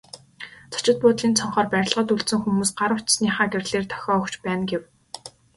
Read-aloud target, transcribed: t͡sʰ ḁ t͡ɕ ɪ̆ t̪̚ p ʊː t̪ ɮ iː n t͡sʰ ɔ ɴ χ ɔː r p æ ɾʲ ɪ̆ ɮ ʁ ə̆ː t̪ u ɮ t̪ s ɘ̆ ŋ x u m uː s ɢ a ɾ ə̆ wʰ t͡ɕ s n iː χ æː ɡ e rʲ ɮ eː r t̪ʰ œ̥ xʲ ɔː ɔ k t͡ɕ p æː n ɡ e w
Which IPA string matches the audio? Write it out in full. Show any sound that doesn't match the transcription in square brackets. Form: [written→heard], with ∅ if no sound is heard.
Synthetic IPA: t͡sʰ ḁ t͡ɕ ɪ̆ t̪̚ p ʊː t̪ ɮ iː n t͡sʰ ɔ ɴ χ ɔː r p æ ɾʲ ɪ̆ ɮ ʁ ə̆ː t̪ u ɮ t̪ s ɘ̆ ŋ x u m uː s ɢ a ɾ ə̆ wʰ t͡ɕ s n iː χ [æː→aː] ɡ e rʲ ɮ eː r t̪ʰ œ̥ xʲ ɔː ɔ k t͡ɕ p æː n ɡ e w